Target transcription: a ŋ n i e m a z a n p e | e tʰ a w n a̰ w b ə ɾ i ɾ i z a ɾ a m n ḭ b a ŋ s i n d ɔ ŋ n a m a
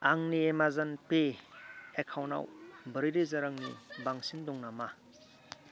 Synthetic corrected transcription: a ŋ n i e m a z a n p e | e kʰ a w n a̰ w b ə ɾ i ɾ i z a ɾ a ŋ n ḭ b a ŋ s i n d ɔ ŋ n a m a